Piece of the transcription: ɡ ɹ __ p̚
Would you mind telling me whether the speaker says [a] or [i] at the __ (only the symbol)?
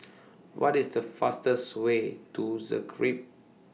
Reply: i